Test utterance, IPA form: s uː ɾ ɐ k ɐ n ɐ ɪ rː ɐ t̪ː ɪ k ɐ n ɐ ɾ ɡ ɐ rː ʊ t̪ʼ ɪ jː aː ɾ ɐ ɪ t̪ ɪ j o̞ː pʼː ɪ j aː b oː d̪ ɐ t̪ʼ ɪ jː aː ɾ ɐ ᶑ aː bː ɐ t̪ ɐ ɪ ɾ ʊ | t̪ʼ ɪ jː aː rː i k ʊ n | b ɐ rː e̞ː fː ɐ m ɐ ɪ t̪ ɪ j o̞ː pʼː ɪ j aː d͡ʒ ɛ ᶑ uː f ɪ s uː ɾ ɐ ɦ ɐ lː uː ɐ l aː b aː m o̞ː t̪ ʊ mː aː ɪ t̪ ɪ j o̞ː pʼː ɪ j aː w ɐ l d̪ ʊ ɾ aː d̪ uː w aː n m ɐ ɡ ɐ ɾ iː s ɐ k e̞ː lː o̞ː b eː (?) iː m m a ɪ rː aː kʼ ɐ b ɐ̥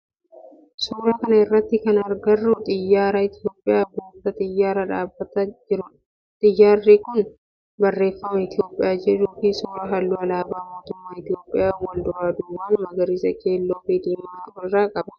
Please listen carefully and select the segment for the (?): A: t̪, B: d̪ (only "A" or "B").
B